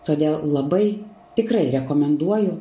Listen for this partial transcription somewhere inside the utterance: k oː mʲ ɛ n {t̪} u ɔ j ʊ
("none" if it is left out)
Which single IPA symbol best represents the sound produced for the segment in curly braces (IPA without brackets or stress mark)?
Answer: d̪